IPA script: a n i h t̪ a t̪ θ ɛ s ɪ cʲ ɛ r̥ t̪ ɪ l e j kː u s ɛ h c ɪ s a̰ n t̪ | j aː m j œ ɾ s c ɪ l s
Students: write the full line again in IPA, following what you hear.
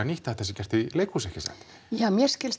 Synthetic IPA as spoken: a n i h t̪ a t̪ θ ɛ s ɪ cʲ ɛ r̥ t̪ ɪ l e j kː u s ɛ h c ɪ s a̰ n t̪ | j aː m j ɛ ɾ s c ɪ l s